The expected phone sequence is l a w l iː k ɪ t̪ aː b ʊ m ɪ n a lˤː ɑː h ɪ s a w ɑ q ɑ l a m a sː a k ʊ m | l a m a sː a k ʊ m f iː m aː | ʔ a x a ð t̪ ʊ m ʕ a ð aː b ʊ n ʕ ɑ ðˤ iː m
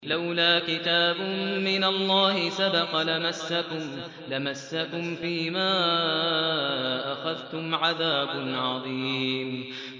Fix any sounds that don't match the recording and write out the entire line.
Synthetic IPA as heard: l a w l aː k ɪ t̪ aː b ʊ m ɪ n a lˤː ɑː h ɪ s a b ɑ q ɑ l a m a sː a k ʊ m | l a m a sː a k ʊ m f iː m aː | ʔ a x a ð t̪ ʊ m ʕ a ð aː b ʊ n ʕ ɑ ðˤ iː m